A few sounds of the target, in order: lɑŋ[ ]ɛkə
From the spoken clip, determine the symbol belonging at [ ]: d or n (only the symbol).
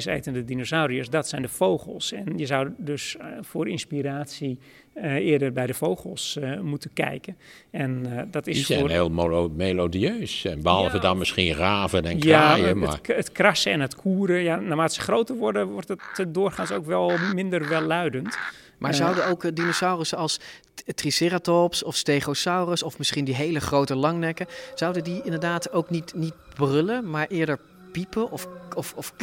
n